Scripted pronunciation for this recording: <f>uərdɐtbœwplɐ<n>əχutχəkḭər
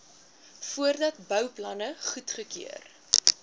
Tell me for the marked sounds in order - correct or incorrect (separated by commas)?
correct, correct